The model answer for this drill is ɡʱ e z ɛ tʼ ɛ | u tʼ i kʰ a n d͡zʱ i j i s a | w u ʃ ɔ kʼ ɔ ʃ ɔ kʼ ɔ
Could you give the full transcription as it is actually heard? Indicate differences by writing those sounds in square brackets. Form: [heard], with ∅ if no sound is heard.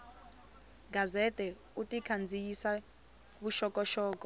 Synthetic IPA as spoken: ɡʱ [a] z ɛ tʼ ɛ | u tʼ i kʰ a n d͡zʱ i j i s a | [β] u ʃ ɔ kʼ ɔ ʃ [ɔː] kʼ ɔ